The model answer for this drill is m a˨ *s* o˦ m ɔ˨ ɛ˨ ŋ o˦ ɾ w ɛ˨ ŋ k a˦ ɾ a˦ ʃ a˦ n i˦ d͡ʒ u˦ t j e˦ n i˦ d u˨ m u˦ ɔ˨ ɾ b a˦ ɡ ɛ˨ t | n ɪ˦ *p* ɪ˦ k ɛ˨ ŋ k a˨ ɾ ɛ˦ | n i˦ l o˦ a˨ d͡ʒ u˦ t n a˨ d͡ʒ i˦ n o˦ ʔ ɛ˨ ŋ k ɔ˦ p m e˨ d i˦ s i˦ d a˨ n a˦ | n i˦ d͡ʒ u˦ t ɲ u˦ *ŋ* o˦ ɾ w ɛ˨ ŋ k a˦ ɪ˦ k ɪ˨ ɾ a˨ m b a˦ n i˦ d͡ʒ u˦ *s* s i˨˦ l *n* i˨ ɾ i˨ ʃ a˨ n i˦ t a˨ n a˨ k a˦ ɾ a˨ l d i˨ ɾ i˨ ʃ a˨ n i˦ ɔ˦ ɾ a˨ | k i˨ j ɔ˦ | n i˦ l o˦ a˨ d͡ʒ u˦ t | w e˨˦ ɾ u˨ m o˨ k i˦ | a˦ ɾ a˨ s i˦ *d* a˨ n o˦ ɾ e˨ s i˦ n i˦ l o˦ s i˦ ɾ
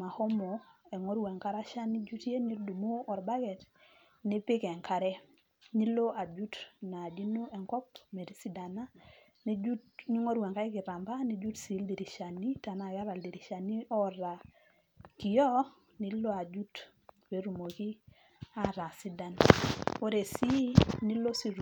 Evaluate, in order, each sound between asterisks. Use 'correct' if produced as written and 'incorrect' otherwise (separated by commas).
incorrect, correct, correct, incorrect, incorrect, correct